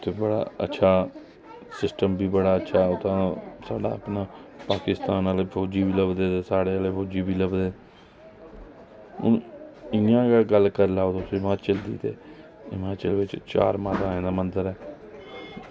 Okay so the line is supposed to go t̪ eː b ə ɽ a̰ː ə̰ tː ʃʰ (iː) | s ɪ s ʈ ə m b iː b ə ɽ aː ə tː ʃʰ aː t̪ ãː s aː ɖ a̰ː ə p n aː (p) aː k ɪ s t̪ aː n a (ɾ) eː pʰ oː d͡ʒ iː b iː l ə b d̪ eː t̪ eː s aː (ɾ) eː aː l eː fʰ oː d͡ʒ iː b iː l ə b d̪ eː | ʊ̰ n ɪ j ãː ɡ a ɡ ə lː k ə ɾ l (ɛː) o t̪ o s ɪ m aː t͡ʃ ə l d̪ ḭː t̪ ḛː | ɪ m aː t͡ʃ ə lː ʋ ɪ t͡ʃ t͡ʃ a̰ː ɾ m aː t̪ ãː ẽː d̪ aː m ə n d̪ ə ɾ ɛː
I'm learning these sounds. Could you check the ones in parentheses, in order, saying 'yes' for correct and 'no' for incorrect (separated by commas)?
no, yes, no, no, no